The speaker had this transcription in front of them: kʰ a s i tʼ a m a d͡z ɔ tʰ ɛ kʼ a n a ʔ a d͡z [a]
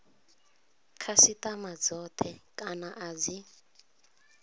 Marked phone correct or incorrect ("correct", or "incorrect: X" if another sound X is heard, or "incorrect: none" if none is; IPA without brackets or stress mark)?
incorrect: i